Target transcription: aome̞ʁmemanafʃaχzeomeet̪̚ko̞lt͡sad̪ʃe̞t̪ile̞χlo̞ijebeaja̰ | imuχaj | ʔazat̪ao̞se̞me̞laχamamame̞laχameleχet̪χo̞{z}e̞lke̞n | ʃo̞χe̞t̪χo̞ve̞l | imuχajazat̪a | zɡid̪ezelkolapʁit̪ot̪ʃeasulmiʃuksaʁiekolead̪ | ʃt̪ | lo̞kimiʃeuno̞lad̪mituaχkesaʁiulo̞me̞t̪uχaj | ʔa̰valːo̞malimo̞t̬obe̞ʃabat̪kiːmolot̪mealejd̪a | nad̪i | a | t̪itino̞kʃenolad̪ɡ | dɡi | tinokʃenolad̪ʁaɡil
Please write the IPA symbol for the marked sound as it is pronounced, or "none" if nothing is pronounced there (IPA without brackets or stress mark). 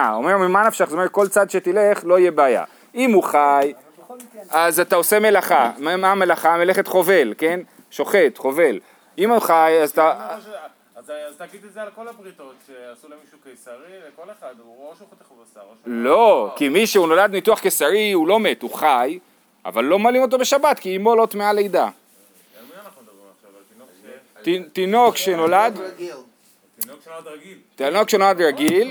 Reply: v